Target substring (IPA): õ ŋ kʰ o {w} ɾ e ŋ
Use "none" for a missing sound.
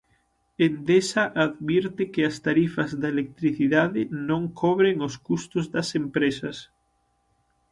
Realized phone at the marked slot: β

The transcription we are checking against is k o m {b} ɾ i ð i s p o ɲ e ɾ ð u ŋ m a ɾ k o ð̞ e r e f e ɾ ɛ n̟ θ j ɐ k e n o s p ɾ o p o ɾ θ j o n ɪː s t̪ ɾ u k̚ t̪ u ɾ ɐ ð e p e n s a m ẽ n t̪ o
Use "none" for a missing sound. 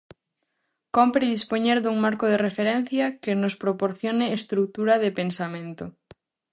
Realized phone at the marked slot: p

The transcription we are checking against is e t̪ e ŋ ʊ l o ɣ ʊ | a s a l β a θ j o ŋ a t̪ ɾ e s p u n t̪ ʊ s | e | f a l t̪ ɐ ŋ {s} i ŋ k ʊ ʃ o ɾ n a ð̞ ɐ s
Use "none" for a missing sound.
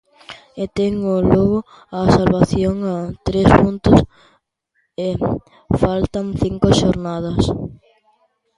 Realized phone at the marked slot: θ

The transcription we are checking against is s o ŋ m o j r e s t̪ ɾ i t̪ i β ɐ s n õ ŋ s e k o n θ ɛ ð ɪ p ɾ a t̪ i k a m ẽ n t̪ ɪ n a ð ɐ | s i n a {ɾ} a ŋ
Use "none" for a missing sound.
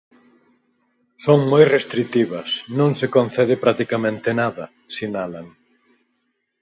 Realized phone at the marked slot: l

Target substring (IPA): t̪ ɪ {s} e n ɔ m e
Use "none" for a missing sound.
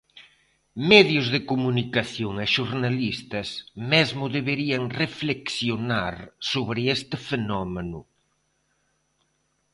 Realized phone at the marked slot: f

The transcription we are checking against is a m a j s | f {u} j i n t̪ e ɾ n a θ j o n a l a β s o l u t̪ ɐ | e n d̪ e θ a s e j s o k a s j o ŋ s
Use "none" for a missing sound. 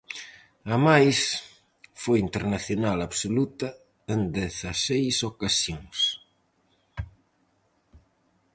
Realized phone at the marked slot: o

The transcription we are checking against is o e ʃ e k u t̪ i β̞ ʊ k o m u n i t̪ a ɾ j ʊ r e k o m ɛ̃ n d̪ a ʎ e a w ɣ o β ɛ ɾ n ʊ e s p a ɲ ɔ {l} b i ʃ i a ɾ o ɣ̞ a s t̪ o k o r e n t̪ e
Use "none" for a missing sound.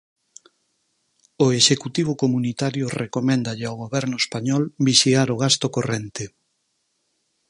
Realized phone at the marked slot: l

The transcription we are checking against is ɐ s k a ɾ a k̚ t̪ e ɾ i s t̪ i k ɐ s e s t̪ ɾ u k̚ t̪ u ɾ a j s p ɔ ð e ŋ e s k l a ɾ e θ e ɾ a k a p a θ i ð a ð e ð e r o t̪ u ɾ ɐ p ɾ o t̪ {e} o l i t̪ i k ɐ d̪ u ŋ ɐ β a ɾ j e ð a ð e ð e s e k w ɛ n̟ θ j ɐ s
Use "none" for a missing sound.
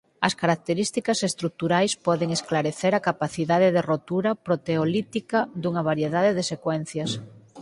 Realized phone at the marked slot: e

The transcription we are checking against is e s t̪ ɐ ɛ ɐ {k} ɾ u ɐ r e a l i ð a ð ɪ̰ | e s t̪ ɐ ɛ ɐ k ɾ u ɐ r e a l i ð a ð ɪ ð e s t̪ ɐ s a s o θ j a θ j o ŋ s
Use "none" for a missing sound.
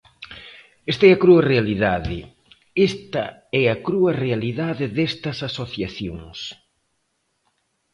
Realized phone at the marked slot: k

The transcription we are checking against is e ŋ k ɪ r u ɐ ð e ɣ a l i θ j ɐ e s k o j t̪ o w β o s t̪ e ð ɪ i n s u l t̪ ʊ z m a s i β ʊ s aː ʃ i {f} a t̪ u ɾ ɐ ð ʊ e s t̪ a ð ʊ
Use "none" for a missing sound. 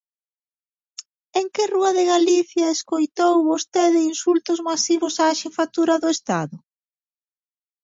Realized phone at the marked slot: f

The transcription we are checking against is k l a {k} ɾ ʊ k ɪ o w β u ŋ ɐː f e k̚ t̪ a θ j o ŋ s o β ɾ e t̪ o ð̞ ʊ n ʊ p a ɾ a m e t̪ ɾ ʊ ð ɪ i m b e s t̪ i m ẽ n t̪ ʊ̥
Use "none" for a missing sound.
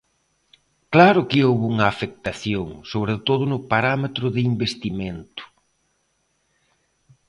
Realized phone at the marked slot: none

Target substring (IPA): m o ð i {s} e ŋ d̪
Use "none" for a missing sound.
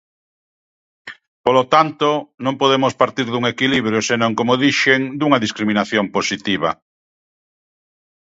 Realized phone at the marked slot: ʃ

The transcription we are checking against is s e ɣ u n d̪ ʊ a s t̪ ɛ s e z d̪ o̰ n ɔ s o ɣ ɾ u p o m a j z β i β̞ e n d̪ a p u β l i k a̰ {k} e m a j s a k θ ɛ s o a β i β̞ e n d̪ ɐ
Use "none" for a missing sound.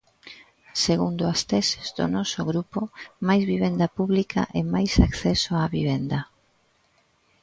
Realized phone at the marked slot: ʔ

